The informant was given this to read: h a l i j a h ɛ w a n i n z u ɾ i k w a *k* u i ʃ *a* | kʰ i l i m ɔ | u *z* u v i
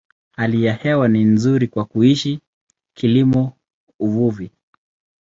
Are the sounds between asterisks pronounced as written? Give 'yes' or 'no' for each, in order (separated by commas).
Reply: yes, no, no